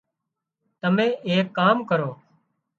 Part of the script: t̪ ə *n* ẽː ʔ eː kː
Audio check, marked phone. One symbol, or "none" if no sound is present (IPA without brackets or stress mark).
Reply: m